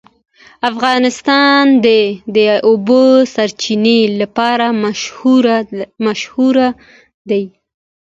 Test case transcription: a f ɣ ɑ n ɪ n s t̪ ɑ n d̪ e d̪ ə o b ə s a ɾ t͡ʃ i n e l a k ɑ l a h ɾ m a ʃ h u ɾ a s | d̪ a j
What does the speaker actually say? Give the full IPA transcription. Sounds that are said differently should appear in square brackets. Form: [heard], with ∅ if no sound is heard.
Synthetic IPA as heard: a f ɣ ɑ n ɪ [∅] s t̪ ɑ n d̪ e d̪ ə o b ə s a ɾ t͡ʃ i n e l a [p] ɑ [ɾ] a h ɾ m a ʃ h u ɾ a [∅] | d̪ a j